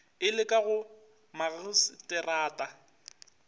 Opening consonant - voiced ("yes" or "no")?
yes